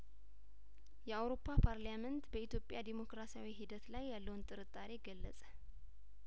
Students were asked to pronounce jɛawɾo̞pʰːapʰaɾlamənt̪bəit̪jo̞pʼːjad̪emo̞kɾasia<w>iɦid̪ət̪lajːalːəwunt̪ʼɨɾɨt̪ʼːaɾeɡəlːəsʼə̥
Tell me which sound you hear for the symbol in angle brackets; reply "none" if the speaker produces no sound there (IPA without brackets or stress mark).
w